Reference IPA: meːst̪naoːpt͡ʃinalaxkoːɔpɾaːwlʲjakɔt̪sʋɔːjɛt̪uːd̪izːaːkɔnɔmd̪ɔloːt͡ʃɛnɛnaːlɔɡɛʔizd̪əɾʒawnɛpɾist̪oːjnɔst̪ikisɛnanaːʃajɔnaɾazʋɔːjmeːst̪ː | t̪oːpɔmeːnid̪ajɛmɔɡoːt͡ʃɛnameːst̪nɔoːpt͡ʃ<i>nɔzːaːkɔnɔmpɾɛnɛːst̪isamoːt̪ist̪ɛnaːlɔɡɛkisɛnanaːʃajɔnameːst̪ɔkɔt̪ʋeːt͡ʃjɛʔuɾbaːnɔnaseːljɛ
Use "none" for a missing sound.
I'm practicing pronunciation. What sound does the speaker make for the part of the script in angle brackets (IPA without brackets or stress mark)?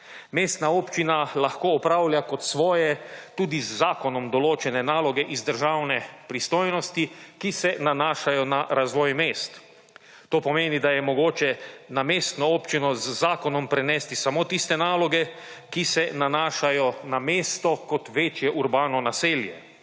i